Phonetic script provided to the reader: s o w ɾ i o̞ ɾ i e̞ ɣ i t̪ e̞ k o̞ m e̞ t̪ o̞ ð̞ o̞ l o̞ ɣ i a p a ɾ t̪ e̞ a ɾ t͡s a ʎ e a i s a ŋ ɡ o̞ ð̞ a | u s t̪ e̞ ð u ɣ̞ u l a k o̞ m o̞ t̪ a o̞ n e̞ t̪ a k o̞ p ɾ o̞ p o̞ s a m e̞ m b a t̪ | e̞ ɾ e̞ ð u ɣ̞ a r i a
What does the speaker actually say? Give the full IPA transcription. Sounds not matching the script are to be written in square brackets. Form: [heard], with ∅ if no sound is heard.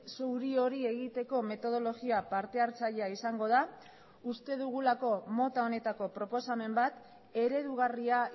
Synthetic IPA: s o w ɾ i o̞ ɾ i e̞ ɣ i t̪ e̞ k o̞ m e̞ t̪ o̞ ð̞ o̞ l o̞ ɣ i a p a ɾ t̪ e̞ a ɾ t͡s a ʎ e a i s a ŋ ɡ o̞ ð̞ a | u s t̪ e̞ ð u ɣ̞ u l a k o̞ m o̞ t̪ a o̞ n e̞ t̪ a k o̞ p ɾ o̞ p o̞ s a m e̞ m b a t̪ | e̞ ɾ e̞ ð u ɣ̞ a r i a